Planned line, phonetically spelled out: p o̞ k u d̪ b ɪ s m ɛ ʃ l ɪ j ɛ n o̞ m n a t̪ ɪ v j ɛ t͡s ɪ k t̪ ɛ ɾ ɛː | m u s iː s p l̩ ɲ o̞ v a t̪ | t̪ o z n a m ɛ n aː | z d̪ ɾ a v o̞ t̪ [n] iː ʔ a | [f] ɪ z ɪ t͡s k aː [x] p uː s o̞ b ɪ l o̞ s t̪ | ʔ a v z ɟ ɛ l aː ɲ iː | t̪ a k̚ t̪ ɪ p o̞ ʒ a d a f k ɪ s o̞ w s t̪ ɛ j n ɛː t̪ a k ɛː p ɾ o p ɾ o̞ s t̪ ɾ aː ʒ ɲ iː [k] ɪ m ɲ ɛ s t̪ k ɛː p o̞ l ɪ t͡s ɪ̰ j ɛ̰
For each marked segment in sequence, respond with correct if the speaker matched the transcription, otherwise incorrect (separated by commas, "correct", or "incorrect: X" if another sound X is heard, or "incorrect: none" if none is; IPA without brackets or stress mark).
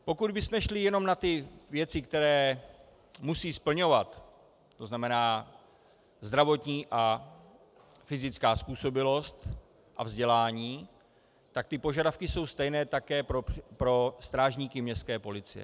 incorrect: ɲ, correct, incorrect: s, correct